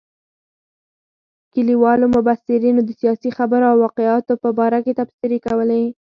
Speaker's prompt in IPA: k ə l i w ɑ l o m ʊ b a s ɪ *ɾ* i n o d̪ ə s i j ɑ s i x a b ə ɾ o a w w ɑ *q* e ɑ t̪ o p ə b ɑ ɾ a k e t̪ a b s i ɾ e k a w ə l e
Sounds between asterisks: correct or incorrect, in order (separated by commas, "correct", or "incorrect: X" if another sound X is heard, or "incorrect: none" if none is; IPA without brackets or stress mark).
correct, correct